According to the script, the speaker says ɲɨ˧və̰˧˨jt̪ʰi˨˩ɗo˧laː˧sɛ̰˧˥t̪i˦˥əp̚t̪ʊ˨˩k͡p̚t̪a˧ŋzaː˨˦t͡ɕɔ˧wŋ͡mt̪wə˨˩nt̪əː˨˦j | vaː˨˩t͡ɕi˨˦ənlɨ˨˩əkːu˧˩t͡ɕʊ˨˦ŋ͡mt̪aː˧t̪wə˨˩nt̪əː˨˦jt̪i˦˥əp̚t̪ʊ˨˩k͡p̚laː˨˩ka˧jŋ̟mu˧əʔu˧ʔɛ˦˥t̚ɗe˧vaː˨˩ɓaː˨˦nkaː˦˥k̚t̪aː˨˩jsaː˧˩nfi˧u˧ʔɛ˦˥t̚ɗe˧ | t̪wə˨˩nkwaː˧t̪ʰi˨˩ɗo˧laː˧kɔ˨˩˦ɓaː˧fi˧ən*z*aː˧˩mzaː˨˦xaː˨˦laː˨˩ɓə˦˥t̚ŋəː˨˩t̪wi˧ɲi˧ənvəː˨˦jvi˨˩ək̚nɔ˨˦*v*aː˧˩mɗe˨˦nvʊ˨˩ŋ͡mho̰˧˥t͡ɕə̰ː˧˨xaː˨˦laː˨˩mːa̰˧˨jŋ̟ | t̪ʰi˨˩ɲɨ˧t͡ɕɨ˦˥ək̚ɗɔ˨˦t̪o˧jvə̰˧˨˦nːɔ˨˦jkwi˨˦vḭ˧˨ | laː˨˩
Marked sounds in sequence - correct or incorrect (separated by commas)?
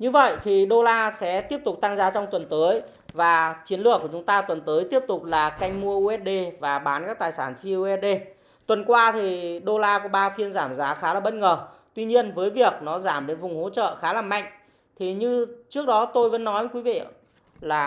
correct, incorrect